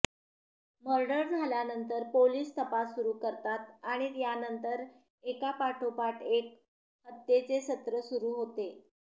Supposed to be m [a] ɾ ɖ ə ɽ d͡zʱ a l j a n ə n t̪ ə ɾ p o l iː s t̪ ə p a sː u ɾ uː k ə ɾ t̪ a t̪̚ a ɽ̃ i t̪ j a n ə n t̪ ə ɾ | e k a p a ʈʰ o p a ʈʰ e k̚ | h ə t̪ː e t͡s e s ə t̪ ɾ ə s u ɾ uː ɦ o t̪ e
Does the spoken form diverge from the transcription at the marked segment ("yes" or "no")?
yes